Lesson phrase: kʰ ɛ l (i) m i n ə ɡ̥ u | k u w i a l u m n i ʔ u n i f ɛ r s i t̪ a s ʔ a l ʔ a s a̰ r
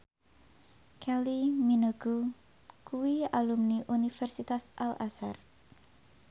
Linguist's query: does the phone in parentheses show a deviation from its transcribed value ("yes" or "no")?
no